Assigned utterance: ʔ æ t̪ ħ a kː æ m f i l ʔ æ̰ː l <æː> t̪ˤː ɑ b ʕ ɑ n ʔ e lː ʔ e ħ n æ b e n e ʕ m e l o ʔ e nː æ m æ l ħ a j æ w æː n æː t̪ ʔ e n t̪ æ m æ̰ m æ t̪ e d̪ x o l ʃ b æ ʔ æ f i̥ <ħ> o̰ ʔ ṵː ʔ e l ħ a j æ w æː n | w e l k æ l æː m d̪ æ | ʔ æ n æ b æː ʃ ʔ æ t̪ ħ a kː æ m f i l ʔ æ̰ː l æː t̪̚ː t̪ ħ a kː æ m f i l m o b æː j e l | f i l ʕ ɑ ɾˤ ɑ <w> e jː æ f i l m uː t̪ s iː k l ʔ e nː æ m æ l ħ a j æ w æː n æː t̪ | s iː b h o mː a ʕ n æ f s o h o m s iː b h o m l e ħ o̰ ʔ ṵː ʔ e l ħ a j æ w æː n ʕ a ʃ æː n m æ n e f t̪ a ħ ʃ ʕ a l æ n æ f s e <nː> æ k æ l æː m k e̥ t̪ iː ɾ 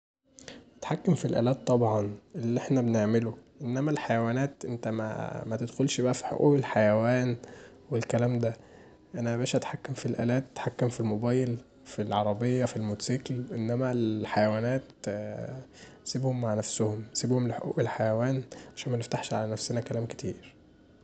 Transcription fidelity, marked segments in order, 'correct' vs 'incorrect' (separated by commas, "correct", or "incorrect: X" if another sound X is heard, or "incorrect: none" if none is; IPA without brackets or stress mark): correct, correct, incorrect: b, incorrect: n